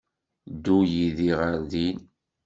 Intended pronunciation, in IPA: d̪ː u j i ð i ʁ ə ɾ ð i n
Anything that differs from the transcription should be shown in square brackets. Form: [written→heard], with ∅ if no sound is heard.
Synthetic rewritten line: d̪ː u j i ð i ʁ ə ɾ ð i n